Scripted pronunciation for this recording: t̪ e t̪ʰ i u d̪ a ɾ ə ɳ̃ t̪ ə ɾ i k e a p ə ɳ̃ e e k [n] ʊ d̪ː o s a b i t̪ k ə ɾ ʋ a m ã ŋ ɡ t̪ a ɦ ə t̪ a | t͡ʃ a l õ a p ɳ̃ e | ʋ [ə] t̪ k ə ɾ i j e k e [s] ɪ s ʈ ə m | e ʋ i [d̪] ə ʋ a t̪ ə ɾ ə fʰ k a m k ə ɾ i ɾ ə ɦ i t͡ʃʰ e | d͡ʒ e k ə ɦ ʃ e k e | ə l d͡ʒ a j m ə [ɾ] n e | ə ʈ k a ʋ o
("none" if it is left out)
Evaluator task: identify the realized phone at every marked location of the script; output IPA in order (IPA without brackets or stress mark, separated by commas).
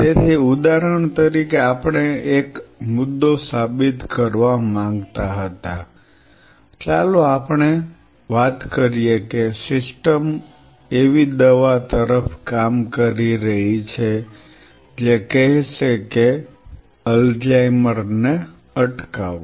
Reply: m, a, s, d̪, ɾ